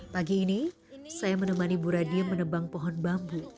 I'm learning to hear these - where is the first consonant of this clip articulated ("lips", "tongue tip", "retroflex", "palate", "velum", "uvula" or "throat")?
lips